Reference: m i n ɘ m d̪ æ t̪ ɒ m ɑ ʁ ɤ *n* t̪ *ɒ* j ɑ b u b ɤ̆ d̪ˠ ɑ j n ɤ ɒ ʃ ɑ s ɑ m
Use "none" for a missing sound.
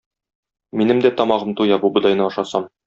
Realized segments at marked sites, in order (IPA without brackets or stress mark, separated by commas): m, u